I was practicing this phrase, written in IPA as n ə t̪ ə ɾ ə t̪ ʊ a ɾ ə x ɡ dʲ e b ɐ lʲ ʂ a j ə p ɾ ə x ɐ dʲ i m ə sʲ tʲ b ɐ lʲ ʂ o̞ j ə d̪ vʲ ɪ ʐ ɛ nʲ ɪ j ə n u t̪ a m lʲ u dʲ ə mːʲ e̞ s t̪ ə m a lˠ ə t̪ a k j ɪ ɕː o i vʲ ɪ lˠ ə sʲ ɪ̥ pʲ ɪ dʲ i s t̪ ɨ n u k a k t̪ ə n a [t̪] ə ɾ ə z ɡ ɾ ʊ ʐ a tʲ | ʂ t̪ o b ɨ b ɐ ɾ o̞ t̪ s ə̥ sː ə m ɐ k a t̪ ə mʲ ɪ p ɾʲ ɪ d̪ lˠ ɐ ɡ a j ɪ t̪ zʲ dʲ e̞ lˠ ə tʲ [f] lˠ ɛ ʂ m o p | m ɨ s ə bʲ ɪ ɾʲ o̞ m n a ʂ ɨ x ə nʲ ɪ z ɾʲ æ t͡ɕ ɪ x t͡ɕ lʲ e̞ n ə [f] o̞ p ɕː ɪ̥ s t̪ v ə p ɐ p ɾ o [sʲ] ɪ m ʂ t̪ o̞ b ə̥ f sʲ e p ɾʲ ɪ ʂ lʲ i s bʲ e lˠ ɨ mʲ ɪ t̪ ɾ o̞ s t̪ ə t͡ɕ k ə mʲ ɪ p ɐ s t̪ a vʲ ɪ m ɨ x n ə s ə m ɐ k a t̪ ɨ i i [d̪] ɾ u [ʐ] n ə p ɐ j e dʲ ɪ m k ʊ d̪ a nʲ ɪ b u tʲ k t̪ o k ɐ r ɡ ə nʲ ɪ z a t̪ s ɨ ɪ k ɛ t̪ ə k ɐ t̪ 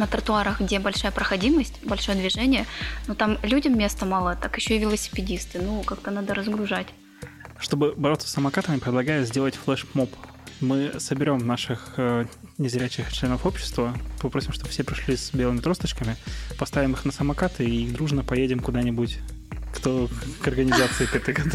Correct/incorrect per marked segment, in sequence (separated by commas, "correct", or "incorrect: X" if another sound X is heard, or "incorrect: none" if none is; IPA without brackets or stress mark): incorrect: d̪, correct, correct, correct, correct, correct